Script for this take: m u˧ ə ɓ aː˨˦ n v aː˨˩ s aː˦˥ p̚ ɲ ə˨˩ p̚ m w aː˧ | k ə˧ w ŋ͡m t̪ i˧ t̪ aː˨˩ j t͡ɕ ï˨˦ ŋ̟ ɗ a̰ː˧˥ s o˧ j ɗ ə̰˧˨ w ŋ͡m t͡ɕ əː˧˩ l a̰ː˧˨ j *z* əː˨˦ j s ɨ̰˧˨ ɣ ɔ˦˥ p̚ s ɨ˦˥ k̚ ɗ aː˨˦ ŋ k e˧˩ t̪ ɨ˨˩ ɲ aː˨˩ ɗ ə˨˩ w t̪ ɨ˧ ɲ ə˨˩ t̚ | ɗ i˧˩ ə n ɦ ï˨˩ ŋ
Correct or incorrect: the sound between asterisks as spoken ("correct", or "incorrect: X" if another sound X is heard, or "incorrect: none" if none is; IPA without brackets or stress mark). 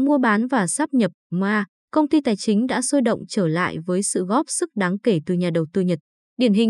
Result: incorrect: v